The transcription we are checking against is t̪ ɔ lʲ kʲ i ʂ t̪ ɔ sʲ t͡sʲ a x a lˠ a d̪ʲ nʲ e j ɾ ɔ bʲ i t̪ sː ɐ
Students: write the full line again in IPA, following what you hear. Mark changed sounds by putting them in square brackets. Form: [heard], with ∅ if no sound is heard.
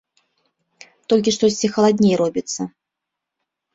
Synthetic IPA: t̪ ɔ lʲ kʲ i ʂ t̪ ɔ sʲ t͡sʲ [i] x [ɐ] lˠ a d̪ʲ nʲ e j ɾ ɔ bʲ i t̪ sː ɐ